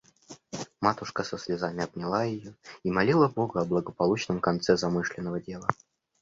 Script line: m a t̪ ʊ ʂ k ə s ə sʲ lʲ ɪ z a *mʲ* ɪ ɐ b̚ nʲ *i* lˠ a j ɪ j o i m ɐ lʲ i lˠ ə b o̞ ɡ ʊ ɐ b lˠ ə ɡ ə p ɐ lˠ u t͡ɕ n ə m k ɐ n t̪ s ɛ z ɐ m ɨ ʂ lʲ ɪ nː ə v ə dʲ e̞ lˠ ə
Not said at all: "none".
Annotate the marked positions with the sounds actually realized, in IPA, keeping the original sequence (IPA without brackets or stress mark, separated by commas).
mʲ, ɪ